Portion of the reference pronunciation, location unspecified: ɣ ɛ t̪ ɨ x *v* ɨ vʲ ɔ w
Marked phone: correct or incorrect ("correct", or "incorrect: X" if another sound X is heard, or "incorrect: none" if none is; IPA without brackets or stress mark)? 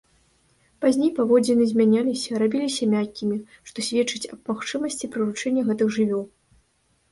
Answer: incorrect: ʐ